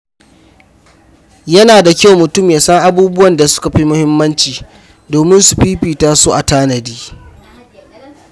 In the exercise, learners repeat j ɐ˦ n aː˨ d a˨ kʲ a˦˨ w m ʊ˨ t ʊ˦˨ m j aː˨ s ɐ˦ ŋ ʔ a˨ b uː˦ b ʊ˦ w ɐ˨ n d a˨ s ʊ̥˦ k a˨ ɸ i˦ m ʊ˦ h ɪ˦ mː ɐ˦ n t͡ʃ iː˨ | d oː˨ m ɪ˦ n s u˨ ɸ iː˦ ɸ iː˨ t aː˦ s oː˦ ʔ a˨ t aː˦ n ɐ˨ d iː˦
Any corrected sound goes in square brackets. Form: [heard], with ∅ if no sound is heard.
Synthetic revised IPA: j ɐ˦ n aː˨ d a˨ kʲ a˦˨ w m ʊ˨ t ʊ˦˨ m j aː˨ s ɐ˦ ŋ ʔ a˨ b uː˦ b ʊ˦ w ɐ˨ n d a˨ s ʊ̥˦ k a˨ ɸ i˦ m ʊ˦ h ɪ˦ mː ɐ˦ n t͡ʃ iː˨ | d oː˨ m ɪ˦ n s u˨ ɸ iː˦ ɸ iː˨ t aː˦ s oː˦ ʔ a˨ t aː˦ n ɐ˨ d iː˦